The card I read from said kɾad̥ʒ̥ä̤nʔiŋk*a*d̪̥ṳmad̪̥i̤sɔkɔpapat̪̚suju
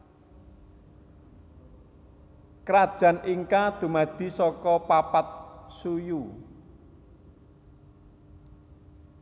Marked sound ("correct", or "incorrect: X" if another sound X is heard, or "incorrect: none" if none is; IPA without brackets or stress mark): correct